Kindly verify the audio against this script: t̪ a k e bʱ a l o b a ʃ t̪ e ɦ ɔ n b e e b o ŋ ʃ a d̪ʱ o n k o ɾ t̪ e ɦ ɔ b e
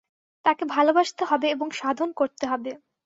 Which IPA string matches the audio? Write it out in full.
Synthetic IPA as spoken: t̪ a k e bʱ a l o b a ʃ t̪ e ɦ ɔ b e e b o ŋ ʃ a d̪ʱ o n k o ɾ t̪ e ɦ ɔ b e